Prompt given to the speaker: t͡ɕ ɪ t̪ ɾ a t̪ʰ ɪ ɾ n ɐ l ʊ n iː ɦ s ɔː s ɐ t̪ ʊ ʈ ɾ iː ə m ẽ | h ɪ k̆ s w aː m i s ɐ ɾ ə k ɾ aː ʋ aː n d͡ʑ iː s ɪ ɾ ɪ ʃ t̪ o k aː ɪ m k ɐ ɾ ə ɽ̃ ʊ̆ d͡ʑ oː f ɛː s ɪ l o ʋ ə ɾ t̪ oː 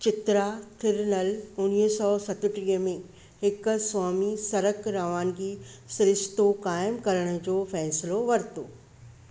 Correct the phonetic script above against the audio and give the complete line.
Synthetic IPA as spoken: t͡ɕ ɪ t̪ ɾ a t̪ʰ ɪ ɾ n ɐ l ʊ n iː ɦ s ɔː s ɐ t̪ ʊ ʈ ɾ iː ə m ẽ | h ɪ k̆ s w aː m i s ɐ ɾ ə k ɾ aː ʋ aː n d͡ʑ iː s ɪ ɾ ɪ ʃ t̪ o k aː ɪ m k ɐ ɾ ə ɽ̃ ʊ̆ d͡ʑ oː f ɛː s ɪ l o ʋ ɐ ɾ t̪ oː